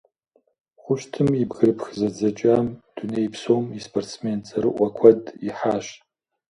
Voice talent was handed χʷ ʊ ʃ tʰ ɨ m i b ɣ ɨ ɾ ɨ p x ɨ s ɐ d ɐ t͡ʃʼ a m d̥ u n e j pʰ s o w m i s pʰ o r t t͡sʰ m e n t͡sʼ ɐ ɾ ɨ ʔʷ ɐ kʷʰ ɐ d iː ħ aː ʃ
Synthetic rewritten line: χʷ ʊ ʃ tʰ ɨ m i b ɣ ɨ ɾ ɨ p x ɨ z ɐ d͡z ɐ t͡ʃʼ a m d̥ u n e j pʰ s o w m i s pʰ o r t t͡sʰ m e n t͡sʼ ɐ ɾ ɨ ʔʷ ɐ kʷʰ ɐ d i ħ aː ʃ